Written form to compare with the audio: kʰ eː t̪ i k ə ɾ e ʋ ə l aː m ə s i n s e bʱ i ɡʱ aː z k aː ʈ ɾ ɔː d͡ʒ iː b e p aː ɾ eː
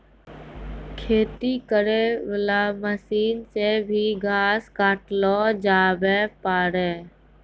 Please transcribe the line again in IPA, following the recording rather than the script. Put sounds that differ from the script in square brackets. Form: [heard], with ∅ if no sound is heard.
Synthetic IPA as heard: kʰ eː t̪ i k ə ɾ e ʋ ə l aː m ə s [iː] n s e bʱ i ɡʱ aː [s] k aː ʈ [l] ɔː d͡ʒ [aː] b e p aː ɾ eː